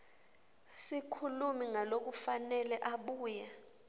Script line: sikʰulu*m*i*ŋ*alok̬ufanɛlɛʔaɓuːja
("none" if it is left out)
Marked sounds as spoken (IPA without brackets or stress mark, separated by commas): m, ŋ